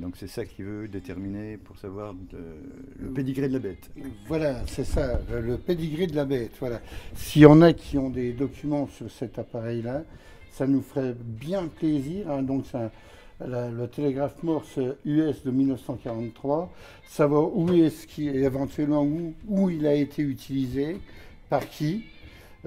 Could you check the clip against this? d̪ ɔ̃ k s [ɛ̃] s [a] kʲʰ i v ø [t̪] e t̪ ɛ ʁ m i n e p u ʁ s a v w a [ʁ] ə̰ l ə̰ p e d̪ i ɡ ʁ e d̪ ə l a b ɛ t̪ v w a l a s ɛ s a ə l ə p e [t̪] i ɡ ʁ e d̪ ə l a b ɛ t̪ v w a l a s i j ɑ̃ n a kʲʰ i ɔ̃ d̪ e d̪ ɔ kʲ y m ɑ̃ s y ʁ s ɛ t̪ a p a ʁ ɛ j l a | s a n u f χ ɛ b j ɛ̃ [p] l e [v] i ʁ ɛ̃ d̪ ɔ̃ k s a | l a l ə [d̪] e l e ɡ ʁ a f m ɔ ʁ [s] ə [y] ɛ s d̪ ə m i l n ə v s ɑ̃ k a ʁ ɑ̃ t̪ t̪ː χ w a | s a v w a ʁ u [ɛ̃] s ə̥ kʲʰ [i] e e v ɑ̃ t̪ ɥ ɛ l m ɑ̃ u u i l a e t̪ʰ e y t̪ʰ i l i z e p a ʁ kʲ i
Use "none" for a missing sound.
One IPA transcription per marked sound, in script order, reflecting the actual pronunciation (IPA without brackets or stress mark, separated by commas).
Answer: ɛ, a, d̪, ʁ, d̪, p, z, t̪, s, y, ɛ, i